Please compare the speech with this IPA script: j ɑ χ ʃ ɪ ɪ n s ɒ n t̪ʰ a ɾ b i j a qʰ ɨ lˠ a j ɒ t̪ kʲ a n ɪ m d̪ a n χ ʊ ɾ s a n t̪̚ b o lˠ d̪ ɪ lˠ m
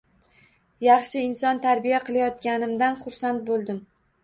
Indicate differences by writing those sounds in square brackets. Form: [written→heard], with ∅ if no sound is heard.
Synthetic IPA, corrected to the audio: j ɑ χ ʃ ɪ ɪ n s ɒ n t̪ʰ a ɾ b i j a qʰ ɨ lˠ a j ɒ t̪ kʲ a n ɪ m d̪ a n χ ʊ ɾ s a n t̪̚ b o lˠ d̪ ɪ [lˠ→∅] m